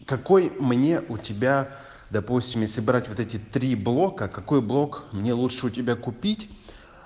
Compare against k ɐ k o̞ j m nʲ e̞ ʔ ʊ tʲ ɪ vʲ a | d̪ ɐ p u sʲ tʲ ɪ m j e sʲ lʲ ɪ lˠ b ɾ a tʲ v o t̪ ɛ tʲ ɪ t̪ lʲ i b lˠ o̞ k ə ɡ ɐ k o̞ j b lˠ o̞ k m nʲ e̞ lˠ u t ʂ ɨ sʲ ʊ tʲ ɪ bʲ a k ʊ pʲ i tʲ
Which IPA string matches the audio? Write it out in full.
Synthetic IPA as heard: k ɐ k o̞ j m nʲ e̞ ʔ ʊ tʲ ɪ bʲ a | d̪ ɐ p u sʲ tʲ ɪ m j e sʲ lʲ ɪ b ɾ a tʲ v o t̪ ɛ tʲ ɪ t̪ ɾʲ i b lˠ o̞ k ə k ɐ k o̞ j b lˠ o̞ k m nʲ e̞ lˠ u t ʂ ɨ ʊ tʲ ɪ bʲ a k ʊ pʲ i tʲ